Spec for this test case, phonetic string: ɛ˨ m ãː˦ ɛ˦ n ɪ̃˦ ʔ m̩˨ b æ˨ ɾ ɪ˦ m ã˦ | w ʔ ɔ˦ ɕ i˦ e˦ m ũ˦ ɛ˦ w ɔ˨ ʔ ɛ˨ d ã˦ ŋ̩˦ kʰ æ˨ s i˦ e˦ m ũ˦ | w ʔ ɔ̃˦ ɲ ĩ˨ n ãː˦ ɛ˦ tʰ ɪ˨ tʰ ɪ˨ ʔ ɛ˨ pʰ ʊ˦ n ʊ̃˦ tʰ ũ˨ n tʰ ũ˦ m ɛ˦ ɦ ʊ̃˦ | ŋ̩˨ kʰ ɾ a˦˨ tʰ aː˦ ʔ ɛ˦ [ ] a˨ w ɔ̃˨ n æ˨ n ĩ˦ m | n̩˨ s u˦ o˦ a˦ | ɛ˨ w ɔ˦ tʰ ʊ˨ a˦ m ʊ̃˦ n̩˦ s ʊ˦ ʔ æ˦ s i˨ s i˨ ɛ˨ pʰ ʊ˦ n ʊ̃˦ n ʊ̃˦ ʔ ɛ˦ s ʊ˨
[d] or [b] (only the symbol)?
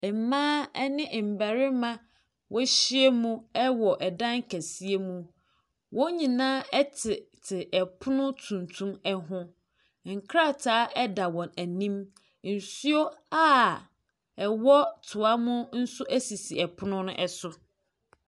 d